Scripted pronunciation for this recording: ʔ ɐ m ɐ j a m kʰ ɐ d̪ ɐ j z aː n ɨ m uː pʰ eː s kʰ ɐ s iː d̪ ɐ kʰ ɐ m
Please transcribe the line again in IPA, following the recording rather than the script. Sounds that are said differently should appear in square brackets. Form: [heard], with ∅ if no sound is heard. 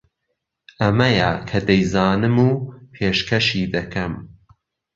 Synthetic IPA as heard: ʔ ɐ m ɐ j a [∅] kʰ ɐ d̪ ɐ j z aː n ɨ m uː pʰ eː [ʃ] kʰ ɐ [ʃ] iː d̪ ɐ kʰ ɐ m